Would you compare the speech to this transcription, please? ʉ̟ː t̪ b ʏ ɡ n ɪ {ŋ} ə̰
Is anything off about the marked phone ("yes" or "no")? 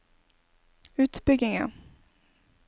no